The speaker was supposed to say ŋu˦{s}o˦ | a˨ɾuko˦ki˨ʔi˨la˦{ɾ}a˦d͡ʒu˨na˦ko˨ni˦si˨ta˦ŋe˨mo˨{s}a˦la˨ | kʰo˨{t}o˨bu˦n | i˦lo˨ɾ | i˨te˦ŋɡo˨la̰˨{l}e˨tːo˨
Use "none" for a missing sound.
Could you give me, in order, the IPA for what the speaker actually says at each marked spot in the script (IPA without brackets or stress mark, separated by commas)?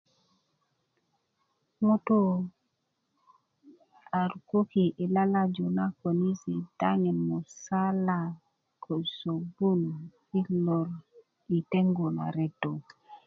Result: t, l, s, s, ɾ